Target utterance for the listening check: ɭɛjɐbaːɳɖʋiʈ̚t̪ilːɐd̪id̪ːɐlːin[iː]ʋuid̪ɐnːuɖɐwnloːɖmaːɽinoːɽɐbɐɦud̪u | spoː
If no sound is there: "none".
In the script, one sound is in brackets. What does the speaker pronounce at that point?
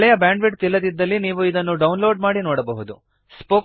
iː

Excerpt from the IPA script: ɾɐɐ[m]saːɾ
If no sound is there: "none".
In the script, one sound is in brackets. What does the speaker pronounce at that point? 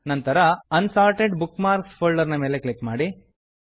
n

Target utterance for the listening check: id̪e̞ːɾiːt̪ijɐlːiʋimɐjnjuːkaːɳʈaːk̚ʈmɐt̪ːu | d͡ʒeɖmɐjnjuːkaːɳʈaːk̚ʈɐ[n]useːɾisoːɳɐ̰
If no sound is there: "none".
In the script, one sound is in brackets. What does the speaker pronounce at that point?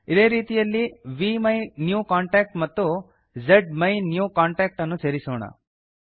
nː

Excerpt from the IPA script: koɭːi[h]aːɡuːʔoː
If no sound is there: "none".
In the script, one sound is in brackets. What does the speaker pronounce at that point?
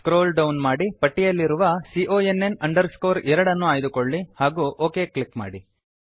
h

